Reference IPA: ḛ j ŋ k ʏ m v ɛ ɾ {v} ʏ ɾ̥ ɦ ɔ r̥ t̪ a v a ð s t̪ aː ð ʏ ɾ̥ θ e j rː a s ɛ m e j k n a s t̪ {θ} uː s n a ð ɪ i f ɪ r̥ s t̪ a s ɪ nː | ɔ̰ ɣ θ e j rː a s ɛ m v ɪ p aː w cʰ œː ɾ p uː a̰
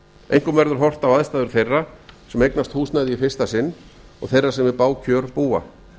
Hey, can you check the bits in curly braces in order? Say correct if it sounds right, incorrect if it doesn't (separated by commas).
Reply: incorrect, incorrect